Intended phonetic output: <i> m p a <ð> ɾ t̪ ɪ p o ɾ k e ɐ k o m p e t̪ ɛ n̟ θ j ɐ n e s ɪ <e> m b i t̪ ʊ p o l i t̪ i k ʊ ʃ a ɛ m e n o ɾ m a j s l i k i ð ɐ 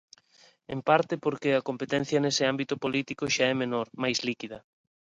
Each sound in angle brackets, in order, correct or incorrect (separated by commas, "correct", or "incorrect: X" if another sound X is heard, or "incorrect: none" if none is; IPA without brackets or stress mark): incorrect: e, incorrect: none, incorrect: a